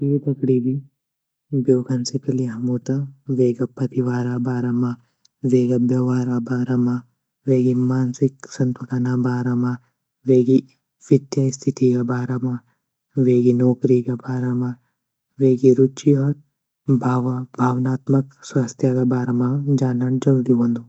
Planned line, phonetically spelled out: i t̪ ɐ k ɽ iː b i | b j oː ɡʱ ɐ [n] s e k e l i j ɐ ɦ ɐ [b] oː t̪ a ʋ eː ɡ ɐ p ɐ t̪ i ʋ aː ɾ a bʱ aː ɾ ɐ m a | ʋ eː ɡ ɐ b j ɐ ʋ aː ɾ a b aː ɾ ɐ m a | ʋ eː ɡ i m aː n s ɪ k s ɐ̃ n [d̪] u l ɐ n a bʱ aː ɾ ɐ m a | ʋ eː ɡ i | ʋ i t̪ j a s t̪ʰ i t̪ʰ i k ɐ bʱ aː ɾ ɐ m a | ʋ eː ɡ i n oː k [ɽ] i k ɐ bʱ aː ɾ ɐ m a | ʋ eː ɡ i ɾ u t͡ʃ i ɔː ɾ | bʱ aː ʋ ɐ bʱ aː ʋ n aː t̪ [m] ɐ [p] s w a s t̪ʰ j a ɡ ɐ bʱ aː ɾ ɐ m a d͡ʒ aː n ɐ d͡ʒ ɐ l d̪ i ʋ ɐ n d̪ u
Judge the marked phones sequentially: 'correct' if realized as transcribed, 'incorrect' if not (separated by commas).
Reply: correct, incorrect, incorrect, incorrect, correct, incorrect